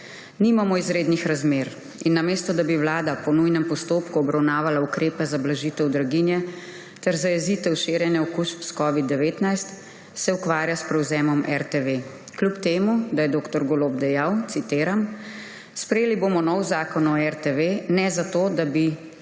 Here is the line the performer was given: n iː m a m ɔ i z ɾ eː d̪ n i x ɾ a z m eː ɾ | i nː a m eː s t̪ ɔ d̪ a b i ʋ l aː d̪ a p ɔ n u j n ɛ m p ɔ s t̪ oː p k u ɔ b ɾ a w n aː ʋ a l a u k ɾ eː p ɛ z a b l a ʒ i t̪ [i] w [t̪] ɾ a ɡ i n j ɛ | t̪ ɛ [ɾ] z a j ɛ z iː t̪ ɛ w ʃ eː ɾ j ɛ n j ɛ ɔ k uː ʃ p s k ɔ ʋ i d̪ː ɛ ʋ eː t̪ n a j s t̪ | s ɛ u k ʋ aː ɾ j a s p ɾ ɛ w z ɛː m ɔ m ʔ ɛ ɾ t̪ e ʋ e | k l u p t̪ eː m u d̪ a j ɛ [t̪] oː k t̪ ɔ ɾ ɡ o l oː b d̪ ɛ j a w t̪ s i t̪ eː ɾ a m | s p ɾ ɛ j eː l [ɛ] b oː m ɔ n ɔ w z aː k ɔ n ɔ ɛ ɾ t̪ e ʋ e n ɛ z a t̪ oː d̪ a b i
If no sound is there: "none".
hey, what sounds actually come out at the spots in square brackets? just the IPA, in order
ɛ, d̪, ɾ, d̪, i

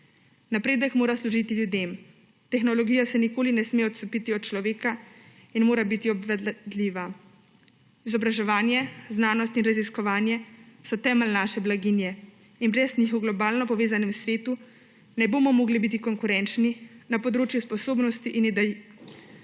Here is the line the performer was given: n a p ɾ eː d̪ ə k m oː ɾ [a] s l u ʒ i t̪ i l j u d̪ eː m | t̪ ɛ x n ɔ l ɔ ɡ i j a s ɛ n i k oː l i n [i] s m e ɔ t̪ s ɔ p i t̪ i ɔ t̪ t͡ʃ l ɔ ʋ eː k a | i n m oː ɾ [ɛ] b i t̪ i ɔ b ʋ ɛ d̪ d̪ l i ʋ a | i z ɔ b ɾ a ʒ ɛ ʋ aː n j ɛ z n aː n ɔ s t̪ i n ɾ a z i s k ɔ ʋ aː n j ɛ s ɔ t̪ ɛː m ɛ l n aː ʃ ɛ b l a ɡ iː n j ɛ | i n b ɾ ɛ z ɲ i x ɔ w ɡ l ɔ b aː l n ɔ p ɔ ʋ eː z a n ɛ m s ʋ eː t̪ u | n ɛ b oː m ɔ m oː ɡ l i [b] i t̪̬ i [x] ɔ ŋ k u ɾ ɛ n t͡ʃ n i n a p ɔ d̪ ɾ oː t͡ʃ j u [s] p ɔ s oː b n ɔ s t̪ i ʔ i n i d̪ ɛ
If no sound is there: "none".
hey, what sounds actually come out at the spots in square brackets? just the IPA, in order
a, ɛ, a, b, k, s

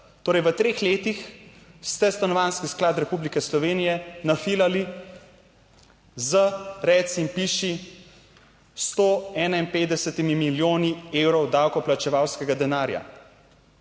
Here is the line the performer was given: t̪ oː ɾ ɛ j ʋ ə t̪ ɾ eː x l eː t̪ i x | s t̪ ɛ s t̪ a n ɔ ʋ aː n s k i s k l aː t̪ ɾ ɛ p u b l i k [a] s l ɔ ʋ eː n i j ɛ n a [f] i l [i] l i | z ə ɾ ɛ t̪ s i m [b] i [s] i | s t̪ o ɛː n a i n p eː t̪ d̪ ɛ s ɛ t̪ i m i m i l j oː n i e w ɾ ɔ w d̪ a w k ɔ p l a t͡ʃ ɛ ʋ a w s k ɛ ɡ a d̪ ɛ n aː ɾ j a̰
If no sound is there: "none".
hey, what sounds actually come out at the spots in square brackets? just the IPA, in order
ɛ, f, a, p, ʃ

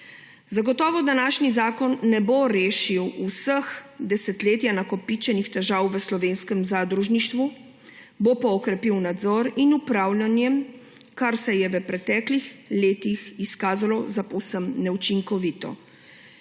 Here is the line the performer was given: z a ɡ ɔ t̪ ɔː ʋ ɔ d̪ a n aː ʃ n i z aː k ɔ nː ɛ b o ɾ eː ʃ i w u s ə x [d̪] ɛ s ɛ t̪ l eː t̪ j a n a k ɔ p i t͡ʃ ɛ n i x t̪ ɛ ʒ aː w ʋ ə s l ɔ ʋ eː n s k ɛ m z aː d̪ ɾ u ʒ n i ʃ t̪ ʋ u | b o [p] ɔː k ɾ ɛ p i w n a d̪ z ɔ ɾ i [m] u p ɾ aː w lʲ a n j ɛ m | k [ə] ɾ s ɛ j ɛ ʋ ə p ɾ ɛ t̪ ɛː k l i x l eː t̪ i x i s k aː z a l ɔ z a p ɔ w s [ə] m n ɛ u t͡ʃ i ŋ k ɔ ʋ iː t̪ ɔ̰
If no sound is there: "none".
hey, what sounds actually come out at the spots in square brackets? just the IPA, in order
d̪, p, n, a, ə

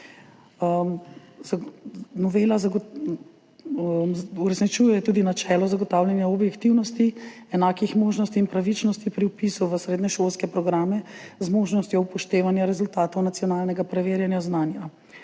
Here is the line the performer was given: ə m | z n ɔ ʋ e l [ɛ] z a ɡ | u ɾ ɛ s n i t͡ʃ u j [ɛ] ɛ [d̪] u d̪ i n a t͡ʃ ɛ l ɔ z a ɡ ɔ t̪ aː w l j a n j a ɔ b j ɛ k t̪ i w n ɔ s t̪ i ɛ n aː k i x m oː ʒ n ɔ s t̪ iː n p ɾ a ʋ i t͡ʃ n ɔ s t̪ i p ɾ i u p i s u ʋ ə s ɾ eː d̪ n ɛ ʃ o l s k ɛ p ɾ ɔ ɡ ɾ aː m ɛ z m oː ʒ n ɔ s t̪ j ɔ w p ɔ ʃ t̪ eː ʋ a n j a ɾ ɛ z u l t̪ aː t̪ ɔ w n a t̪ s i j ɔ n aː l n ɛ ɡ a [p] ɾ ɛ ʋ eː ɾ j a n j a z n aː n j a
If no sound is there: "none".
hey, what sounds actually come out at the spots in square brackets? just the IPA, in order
a, ɛ, t̪, p

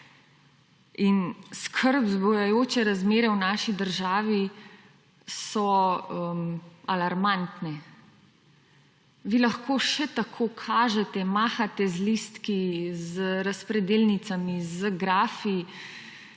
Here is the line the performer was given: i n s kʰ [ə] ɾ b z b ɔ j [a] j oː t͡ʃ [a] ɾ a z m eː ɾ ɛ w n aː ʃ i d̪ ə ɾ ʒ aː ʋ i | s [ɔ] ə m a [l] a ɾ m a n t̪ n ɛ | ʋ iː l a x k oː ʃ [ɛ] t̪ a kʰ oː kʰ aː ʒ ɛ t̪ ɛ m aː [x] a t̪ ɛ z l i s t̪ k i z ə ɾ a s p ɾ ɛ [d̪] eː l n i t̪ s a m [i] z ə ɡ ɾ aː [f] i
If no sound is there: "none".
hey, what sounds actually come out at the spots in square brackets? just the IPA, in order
ə, a, ɛ, ɔ, l, ɛ, x, d̪, i, f

